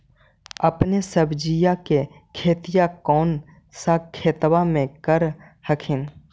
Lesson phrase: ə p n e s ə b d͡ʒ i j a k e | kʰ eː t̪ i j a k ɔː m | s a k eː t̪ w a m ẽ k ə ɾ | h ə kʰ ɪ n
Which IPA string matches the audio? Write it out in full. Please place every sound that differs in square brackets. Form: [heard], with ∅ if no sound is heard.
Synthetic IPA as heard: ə p n e s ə b d͡ʒ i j a k e | kʰ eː t̪ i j a k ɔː [n] | s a [kʰ] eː t̪ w a m ẽ k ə ɾ | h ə kʰ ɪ n